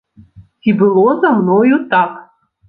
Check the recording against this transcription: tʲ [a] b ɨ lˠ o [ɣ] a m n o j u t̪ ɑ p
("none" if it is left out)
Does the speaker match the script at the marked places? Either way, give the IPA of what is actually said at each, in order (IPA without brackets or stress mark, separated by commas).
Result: i, z